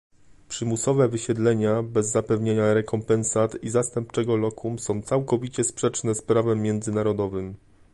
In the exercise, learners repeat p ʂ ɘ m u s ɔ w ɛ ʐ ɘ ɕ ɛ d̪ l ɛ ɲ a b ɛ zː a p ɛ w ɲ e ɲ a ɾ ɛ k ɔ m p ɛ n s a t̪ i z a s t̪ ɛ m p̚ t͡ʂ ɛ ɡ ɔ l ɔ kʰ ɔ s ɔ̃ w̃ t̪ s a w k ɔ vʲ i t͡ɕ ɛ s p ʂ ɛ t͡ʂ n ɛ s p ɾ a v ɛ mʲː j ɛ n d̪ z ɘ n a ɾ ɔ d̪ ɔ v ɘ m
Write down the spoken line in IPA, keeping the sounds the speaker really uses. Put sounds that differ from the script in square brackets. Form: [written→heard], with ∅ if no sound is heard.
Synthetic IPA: p ʂ ɘ m u s ɔ [w→v] ɛ [ʐ→v] ɘ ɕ ɛ d̪ l ɛ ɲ a b ɛ zː a p ɛ [w→v] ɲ e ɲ a ɾ ɛ k ɔ m p ɛ n s a t̪ i z a s t̪ ɛ m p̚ t͡ʂ ɛ ɡ ɔ l ɔ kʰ [ɔ→u] s ɔ̃ w̃ t̪ s a w k ɔ vʲ i t͡ɕ ɛ s p ʂ ɛ t͡ʂ n ɛ s p ɾ a v ɛ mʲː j ɛ n d̪ z ɘ n a ɾ ɔ d̪ ɔ v ɘ m